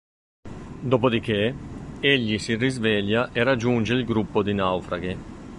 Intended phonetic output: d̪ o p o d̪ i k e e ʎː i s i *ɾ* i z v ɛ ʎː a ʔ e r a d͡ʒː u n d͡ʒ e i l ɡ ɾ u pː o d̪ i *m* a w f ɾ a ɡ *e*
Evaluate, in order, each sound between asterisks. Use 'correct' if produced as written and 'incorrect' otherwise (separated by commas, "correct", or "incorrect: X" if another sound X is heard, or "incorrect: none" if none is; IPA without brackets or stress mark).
incorrect: r, incorrect: n, correct